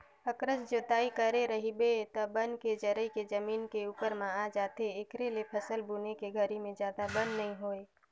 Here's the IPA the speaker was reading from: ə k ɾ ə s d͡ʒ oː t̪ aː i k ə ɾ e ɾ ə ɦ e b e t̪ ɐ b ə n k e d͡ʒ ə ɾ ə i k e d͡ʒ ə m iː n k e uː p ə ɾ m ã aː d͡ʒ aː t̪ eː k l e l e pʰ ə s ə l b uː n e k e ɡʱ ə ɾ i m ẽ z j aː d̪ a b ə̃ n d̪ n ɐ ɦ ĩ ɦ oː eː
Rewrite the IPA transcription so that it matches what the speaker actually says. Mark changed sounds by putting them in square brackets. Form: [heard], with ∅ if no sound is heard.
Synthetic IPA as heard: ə k ɾ ə s d͡ʒ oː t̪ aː i k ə ɾ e ɾ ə ɦ [i] b e t̪ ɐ b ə n k e d͡ʒ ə ɾ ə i k e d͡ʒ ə m iː n k e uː p ə ɾ m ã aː d͡ʒ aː t̪ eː k [ɾ] e l e pʰ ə s ə l b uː n e k e ɡʱ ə ɾ i m ẽ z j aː d̪ a b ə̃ n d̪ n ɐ ɦ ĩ ɦ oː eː